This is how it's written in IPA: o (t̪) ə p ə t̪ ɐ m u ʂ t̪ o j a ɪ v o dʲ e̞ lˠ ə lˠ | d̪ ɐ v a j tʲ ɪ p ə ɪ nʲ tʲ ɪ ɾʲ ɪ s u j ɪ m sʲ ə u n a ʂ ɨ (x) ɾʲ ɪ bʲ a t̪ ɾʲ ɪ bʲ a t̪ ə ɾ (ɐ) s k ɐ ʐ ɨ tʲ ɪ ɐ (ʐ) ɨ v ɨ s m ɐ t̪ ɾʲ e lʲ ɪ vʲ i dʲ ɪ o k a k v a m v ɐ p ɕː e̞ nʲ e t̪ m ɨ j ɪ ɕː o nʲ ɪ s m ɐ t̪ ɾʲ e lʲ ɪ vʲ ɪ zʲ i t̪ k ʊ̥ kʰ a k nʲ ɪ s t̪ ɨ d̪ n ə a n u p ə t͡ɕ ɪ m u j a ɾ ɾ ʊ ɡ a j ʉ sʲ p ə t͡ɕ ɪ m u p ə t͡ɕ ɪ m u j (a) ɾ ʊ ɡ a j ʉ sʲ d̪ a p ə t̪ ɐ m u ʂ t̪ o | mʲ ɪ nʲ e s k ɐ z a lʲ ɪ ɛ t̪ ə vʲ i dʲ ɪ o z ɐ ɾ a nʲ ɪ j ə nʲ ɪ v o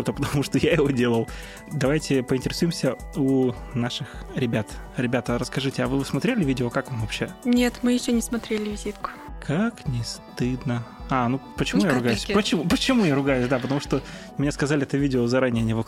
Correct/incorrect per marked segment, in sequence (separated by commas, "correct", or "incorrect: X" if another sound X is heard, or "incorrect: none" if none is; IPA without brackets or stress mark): correct, correct, incorrect: ə, incorrect: v, correct